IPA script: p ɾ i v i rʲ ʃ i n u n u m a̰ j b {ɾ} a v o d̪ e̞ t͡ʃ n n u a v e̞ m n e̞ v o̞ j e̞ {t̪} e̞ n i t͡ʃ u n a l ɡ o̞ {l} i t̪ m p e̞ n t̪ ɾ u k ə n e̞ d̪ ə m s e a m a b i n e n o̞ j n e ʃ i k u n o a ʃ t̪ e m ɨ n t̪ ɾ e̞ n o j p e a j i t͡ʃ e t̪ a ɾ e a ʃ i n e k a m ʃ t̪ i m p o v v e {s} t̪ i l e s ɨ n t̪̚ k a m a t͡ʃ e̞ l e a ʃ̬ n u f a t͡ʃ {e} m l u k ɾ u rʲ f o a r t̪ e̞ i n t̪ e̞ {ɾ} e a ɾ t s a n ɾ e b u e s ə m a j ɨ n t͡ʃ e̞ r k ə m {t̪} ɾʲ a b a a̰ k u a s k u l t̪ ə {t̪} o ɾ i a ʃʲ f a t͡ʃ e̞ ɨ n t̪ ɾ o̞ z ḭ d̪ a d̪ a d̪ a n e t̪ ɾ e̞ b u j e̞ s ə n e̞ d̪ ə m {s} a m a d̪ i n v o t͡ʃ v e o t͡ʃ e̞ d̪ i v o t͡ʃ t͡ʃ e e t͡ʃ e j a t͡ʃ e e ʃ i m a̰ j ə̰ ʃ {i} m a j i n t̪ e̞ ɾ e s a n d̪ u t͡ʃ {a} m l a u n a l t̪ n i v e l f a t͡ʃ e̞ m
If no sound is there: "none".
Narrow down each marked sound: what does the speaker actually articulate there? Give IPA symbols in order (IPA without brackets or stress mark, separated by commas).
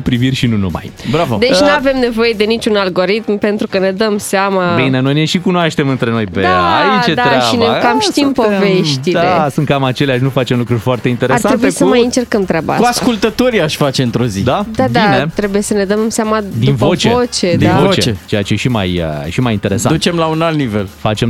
ɾ, d̪, ɾ, ʃ, e, ɾ, t̪, t̪, s, i, e